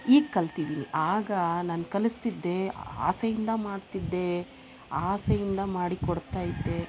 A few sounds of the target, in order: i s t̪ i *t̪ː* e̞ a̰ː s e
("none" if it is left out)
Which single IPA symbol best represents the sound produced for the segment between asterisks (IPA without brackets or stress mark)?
d̪ː